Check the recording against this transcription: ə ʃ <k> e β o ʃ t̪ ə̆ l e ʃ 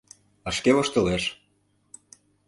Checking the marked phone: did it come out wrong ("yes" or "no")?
no